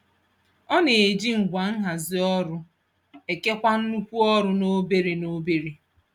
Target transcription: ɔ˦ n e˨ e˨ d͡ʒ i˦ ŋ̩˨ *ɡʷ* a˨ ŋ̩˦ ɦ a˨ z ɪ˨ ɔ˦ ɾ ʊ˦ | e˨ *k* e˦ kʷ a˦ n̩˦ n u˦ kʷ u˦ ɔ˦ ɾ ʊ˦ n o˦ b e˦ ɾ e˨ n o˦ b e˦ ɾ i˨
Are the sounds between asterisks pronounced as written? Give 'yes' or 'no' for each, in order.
yes, yes

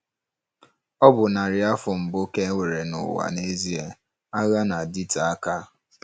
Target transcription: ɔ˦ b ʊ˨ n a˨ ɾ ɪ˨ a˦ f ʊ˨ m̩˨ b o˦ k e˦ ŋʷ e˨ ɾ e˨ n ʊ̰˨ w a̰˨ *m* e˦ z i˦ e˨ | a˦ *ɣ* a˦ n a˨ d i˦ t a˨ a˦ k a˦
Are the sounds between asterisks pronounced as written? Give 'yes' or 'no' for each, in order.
no, yes

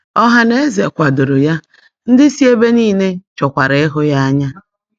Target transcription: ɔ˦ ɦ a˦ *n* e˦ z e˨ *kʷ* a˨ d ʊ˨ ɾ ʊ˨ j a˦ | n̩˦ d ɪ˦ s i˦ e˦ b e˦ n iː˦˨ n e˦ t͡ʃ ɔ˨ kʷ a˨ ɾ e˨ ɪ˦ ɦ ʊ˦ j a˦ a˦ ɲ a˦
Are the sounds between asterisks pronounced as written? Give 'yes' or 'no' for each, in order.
yes, yes

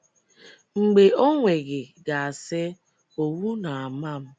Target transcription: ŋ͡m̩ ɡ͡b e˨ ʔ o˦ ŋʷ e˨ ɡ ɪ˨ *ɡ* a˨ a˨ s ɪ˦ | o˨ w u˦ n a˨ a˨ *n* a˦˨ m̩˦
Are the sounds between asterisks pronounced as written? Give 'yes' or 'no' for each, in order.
yes, no

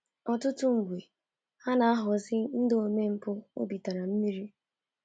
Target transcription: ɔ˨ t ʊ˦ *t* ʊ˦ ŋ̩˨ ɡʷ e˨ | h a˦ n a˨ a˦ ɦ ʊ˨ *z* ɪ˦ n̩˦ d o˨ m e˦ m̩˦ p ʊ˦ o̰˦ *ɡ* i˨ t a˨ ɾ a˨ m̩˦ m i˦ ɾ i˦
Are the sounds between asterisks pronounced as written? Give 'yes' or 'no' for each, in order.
yes, yes, no

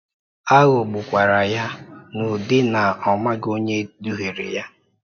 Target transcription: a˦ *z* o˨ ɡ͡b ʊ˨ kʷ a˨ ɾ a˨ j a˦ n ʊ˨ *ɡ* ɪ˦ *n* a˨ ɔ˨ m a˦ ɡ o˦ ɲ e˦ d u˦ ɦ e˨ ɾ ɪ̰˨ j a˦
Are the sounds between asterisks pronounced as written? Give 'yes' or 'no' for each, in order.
no, no, yes

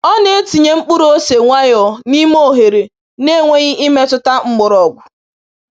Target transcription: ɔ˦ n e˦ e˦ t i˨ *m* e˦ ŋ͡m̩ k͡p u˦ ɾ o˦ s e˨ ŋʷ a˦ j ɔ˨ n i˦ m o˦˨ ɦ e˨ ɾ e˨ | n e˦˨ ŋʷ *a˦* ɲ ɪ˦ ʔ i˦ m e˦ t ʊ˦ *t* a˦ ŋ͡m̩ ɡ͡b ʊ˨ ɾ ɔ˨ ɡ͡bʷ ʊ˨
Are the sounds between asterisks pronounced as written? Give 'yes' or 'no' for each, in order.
no, no, yes

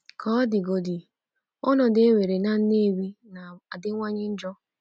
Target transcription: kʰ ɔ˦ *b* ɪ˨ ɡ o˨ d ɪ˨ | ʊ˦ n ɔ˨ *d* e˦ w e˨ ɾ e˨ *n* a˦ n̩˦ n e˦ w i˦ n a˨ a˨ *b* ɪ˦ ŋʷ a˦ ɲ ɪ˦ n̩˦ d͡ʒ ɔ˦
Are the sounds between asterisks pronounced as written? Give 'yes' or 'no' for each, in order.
no, yes, yes, no

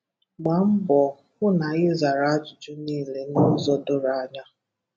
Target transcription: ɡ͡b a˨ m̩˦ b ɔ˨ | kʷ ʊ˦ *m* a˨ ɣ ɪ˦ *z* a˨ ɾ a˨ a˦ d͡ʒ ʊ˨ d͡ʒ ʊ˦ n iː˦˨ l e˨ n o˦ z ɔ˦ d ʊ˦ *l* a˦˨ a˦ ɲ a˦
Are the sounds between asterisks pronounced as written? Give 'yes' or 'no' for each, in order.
no, yes, no

